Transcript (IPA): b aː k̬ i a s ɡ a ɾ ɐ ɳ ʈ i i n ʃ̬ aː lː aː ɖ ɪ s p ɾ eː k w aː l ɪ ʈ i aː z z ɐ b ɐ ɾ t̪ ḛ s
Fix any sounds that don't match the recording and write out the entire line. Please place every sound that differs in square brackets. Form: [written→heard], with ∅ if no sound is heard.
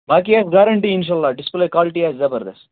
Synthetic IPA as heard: b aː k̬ i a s ɡ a ɾ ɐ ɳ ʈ i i n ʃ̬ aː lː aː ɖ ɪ s p [ɾ→l] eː k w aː l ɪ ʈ i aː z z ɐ b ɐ ɾ [t̪→d̪] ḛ s